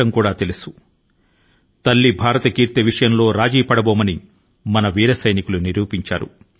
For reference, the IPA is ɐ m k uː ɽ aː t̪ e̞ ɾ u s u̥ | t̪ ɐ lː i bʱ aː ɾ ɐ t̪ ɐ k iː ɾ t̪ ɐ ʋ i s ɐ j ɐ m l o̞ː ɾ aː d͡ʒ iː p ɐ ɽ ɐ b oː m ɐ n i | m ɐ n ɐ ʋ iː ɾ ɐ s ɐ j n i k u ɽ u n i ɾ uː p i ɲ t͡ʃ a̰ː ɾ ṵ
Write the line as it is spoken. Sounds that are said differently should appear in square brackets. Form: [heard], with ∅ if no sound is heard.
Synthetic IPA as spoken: ɐ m k uː ɽ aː t̪ e̞ [l] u s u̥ | t̪ ɐ lː i bʱ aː ɾ ɐ t̪ ɐ k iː ɾ t̪ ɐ ʋ i [ʂ] ɐ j ɐ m l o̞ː ɾ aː d͡ʒ iː p ɐ ɽ ɐ b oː m ɐ n i | m ɐ n ɐ ʋ iː ɾ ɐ s ɐ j n i k u [l] u n i ɾ uː p i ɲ t͡ʃ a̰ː ɾ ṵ